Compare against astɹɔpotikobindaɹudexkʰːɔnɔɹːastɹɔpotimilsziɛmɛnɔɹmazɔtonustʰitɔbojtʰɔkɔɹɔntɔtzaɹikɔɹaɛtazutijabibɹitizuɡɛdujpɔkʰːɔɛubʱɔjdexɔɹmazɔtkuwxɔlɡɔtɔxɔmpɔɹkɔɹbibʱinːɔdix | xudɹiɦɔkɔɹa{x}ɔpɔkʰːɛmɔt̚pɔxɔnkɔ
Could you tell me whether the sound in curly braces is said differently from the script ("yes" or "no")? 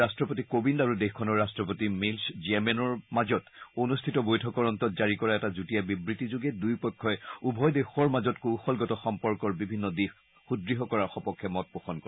no